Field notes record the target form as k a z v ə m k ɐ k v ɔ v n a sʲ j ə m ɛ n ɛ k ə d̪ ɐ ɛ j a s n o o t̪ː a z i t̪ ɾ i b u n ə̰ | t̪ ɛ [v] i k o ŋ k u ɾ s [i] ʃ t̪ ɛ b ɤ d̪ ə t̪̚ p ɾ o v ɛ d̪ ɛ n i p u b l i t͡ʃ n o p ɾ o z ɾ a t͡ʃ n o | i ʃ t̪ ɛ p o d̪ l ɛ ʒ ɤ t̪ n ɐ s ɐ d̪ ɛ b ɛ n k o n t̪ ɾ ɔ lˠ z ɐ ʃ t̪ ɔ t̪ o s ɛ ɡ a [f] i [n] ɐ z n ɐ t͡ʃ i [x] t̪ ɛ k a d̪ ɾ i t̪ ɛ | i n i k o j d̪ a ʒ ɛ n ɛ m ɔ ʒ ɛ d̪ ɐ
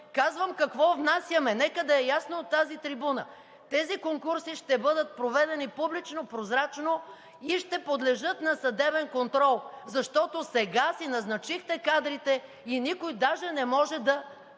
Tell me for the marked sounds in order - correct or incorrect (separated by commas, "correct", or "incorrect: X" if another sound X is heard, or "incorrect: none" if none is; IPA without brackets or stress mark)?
incorrect: z, correct, incorrect: s, correct, correct